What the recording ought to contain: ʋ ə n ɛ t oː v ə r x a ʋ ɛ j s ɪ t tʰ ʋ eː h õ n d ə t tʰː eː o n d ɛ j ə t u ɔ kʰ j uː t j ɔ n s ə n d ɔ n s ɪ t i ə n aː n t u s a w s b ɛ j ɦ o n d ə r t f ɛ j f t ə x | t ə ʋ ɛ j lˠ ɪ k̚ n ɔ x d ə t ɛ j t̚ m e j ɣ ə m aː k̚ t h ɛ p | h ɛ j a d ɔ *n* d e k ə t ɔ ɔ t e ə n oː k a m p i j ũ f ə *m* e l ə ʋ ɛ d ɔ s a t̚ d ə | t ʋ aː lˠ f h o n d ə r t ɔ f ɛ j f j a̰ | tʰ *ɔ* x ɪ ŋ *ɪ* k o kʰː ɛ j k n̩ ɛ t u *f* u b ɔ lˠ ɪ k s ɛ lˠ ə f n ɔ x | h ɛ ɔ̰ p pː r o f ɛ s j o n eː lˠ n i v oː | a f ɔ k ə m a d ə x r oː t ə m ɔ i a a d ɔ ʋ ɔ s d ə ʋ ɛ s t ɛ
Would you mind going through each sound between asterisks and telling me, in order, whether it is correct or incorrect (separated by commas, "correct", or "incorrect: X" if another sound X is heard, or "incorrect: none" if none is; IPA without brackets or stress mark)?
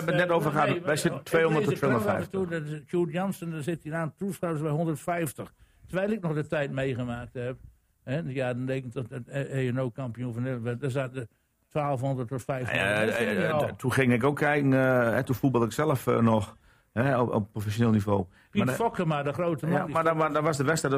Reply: correct, incorrect: n, incorrect: u, correct, correct